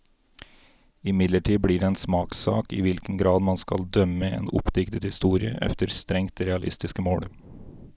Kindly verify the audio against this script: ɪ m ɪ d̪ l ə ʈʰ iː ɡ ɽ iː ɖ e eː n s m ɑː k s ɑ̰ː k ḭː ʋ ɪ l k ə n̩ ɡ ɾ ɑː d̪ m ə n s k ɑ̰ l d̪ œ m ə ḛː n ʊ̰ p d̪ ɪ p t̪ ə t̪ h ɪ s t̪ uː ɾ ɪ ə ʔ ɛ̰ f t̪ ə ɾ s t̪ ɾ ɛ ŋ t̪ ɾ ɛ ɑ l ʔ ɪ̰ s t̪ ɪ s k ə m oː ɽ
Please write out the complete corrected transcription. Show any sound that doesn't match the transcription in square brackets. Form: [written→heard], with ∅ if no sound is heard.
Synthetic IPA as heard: ɪ m ɪ d̪ l ə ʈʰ iː [ɡ→b] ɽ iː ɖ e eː n s m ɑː k s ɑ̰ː k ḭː ʋ ɪ l k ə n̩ ɡ ɾ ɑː d̪ m [ə→ɑ] n s k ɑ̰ l d̪ œ m ə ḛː n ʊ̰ p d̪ ɪ [p→k] t̪ ə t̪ h ɪ s t̪ uː ɾ ɪ ə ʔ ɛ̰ f t̪ ə ɾ s t̪ ɾ ɛ ŋ t̪ ɾ ɛ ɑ l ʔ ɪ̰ s t̪ ɪ s k ə m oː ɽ